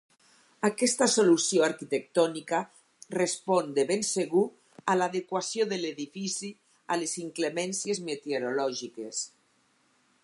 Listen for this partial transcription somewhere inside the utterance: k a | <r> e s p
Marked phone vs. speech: correct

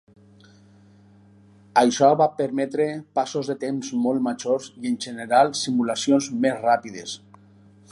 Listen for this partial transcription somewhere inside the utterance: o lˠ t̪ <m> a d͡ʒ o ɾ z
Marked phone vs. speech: correct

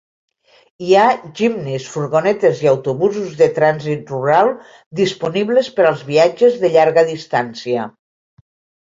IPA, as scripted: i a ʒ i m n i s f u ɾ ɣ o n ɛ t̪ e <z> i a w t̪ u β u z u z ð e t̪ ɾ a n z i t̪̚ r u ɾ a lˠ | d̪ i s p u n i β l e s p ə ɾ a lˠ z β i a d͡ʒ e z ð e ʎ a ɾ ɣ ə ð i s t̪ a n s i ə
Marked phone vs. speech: correct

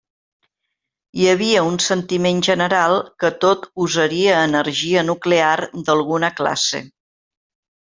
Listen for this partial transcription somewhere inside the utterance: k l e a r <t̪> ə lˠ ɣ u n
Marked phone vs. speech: incorrect: d̪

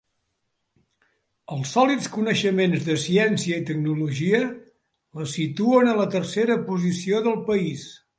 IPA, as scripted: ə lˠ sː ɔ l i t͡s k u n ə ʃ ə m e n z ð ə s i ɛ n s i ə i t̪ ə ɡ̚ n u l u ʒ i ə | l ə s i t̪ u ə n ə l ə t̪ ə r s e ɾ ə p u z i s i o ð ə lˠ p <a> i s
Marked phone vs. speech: incorrect: ə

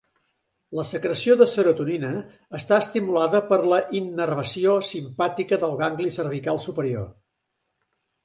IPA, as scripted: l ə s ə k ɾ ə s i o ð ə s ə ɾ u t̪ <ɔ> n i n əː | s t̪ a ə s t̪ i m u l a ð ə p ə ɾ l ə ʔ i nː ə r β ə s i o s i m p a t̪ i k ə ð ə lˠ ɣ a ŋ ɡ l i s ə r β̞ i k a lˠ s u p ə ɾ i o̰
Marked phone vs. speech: incorrect: u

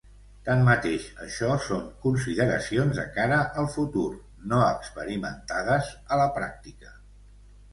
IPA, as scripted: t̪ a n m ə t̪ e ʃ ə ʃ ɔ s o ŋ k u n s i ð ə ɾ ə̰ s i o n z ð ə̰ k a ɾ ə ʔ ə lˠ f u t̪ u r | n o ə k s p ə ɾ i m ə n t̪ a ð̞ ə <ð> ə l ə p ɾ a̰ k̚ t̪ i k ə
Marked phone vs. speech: incorrect: z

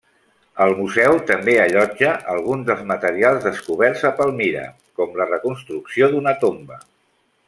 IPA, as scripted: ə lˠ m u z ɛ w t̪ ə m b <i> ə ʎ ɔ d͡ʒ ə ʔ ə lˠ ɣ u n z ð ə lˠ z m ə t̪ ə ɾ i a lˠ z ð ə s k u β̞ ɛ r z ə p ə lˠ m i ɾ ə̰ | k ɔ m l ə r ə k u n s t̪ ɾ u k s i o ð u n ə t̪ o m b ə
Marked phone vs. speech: incorrect: e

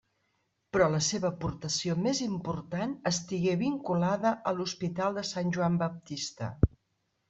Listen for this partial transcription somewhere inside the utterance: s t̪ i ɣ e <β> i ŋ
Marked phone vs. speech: correct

